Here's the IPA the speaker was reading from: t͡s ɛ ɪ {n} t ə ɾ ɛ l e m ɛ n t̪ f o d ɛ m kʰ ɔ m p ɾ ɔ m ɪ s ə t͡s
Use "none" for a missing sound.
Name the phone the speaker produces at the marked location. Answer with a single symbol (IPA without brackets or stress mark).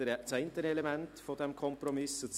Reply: n